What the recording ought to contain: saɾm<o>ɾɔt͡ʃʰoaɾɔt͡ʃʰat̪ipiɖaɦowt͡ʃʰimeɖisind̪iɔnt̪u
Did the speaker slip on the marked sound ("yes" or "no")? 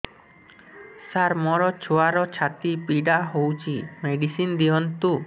yes